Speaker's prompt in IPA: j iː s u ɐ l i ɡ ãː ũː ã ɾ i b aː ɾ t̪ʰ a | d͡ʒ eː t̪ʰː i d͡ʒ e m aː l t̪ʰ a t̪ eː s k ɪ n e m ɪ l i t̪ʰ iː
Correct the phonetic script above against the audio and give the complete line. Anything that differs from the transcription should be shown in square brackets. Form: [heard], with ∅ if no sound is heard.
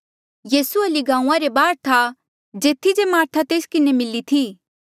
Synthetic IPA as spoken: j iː s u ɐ l i ɡ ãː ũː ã ɾ [e] b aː ɾ t̪ʰ a | d͡ʒ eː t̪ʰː i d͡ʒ e m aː [ɾ] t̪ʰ a t̪ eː s k ɪ n e m ɪ l i t̪ʰ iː